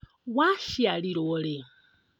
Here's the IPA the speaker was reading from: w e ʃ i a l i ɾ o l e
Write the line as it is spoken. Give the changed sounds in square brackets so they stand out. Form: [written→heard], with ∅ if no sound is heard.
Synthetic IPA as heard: w [e→a] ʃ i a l i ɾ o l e